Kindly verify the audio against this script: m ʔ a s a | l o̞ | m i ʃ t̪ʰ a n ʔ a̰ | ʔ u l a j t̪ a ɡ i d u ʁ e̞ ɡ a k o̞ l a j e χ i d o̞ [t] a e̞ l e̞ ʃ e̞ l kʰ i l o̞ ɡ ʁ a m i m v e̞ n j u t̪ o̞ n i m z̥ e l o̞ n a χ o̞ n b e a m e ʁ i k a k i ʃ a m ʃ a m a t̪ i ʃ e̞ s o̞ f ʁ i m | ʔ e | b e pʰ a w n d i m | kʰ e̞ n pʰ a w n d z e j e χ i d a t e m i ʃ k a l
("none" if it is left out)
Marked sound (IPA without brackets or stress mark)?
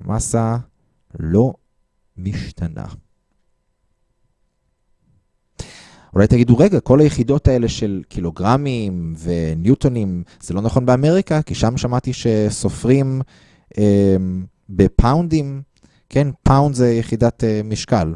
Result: t